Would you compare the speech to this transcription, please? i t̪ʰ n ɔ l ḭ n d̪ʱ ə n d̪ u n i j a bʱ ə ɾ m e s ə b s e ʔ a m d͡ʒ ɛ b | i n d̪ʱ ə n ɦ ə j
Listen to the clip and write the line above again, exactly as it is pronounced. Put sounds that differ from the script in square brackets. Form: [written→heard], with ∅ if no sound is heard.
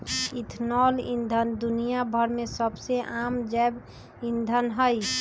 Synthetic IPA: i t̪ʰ n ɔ l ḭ n d̪ʱ ə n d̪ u n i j a bʱ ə ɾ m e s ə b s e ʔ a m d͡ʒ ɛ b | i n d̪ʱ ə n ɦ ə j